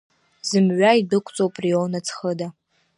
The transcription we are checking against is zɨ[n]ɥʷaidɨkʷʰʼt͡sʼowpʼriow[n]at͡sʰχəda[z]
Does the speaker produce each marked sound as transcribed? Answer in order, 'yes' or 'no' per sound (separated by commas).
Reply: no, yes, no